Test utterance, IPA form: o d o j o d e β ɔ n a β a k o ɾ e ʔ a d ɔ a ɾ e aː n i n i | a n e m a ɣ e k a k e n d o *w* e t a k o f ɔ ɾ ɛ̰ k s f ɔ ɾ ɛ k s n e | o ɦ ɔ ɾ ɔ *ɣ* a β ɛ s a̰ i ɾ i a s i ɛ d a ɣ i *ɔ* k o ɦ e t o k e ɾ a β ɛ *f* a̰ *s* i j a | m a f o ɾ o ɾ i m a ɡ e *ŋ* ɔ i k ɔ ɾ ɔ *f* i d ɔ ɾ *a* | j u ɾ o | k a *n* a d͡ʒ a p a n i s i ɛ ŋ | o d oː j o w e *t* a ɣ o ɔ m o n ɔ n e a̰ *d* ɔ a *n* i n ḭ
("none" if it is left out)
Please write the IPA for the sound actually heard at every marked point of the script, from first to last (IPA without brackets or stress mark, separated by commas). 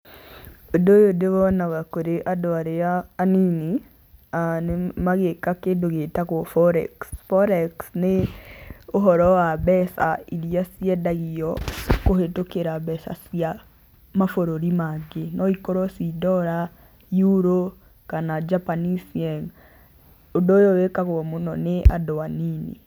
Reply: ɣ, w, ɔ, s, s, n, s, a, n, k, d, n